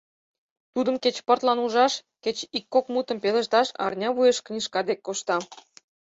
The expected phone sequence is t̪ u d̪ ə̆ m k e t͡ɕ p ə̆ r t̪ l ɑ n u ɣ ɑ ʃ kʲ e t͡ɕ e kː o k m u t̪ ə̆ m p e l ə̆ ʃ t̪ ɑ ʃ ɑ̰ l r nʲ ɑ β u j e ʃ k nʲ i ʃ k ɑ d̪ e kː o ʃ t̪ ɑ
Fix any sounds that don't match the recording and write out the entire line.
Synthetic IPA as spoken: t̪ u d̪ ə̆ m k e t͡ɕ p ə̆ r t̪ l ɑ n u ʒ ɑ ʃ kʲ e t͡ɕ i kː o k m u t̪ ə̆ m p e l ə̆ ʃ t̪ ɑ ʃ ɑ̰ r nʲ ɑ β u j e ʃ k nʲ i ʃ k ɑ d̪ e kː o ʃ t̪ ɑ